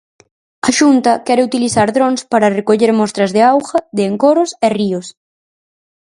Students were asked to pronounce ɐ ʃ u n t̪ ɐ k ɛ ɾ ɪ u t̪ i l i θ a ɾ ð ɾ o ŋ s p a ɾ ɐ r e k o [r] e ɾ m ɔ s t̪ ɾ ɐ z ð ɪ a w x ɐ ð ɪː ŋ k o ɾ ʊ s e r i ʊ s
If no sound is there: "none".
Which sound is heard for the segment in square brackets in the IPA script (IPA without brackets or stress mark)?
ʎ